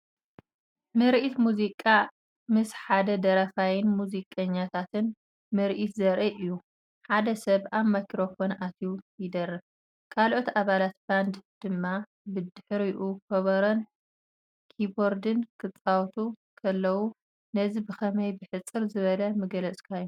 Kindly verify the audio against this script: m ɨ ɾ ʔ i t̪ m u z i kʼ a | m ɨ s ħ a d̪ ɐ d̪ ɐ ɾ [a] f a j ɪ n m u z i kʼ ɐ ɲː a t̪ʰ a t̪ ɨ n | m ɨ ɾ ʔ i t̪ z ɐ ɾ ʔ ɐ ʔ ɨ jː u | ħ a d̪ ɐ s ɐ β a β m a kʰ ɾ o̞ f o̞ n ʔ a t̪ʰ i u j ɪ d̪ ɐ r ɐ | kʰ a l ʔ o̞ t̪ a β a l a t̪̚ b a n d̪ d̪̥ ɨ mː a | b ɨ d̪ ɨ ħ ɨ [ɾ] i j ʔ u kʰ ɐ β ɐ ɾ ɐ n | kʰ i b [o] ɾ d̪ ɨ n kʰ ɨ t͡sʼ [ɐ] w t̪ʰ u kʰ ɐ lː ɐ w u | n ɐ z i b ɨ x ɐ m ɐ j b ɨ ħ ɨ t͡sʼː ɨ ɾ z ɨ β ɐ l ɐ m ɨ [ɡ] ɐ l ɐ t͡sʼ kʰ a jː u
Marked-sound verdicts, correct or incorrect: incorrect, correct, correct, incorrect, correct

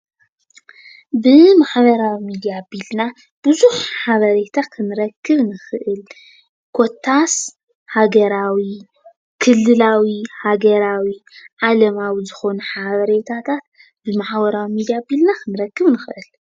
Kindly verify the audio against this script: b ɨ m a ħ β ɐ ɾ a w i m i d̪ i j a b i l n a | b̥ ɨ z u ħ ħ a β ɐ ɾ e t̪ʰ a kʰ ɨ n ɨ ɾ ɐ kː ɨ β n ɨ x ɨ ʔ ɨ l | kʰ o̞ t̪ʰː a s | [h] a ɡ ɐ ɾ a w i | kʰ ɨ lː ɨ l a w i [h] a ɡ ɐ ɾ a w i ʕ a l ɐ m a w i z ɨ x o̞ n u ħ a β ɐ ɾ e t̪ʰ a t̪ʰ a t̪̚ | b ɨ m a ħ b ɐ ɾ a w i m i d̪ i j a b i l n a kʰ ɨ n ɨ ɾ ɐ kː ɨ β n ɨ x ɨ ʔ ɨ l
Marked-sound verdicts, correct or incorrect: correct, correct

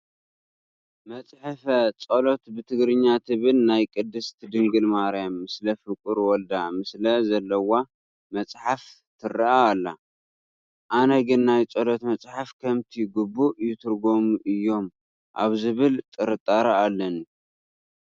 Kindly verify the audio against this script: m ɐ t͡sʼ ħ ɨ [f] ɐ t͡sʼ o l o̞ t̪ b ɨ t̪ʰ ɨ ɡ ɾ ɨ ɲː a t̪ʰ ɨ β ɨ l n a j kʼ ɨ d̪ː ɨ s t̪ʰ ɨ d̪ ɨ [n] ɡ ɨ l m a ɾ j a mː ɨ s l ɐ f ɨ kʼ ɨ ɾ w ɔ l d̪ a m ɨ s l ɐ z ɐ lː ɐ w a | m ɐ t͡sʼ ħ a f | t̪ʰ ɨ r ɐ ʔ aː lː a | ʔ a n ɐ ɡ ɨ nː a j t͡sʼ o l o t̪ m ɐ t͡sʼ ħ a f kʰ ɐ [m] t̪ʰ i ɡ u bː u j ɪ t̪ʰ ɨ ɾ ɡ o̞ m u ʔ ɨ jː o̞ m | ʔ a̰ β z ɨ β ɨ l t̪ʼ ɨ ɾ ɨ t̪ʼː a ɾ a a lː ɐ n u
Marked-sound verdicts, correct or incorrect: correct, incorrect, correct

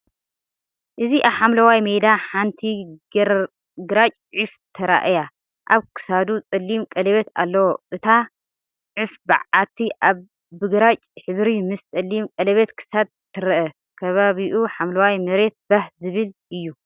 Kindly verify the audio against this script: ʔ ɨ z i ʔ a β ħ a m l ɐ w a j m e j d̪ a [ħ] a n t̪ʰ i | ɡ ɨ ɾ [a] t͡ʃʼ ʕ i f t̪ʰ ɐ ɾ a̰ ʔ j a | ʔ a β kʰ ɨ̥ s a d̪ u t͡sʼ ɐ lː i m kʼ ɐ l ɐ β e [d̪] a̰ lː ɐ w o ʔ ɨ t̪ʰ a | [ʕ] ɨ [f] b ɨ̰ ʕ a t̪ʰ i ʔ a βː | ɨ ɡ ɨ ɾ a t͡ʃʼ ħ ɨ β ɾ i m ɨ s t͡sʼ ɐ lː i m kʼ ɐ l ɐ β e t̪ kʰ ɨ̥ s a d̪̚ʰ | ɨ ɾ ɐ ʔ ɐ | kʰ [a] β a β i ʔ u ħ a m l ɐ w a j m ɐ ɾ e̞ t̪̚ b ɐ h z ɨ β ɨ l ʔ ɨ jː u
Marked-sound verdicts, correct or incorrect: correct, correct, incorrect, correct, correct, incorrect

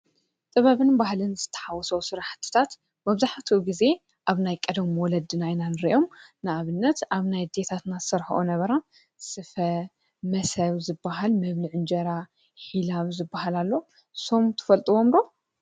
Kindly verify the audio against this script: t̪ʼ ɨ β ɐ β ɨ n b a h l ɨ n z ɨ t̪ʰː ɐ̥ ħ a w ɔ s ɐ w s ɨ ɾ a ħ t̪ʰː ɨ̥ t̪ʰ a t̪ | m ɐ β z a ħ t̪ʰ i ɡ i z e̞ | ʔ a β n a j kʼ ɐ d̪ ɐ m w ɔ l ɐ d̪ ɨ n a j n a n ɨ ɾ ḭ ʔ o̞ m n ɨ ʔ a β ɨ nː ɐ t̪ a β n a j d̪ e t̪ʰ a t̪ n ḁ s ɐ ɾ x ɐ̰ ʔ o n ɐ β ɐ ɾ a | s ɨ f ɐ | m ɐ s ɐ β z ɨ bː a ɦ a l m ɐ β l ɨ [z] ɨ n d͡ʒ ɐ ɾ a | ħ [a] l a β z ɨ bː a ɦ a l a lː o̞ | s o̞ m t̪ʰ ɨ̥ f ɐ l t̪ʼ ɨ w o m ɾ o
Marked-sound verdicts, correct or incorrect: incorrect, incorrect

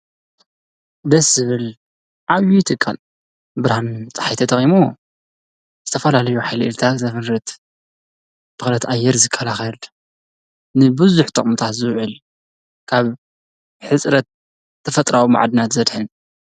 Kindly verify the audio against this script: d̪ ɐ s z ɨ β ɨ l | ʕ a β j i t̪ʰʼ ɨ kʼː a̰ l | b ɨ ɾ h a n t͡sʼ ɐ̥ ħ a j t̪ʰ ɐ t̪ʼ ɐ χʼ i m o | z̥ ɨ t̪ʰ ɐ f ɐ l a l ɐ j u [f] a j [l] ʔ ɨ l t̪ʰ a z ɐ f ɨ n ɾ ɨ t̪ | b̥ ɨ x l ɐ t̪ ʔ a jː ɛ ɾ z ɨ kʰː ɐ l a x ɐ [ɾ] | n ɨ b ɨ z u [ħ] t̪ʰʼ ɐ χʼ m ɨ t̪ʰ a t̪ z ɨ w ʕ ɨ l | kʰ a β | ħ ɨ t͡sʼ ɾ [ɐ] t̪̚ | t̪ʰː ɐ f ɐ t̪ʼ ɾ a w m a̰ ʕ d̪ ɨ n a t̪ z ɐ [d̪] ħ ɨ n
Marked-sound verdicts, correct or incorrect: incorrect, correct, incorrect, correct, correct, correct

